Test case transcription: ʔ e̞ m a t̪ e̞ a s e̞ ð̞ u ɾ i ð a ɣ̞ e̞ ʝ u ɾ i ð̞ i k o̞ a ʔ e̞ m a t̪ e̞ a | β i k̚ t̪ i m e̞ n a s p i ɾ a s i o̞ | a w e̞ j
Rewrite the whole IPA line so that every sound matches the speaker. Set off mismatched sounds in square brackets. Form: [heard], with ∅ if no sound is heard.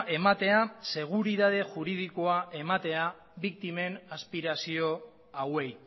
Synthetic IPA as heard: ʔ e̞ m a t̪ e̞ a s e̞ [ɣ̞] u ɾ i ð a [ð̞] e̞ ʝ u ɾ i ð̞ i k o̞ a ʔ e̞ m a t̪ e̞ a | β i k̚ t̪ i m e̞ n a s p i ɾ a s i o̞ | a w e̞ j